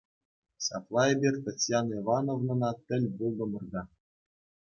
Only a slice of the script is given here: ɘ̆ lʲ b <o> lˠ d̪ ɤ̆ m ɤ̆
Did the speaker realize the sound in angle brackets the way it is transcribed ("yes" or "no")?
no